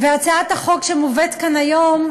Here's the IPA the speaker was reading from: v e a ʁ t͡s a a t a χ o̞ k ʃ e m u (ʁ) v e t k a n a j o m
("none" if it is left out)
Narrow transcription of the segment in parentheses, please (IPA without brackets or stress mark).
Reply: none